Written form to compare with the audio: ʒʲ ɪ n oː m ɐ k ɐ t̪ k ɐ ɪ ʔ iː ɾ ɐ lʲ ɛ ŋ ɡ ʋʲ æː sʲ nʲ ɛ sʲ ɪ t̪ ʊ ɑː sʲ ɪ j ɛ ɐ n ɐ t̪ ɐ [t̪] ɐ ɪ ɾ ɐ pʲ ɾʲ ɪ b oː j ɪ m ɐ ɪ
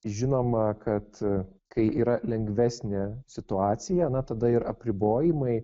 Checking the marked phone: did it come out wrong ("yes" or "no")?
yes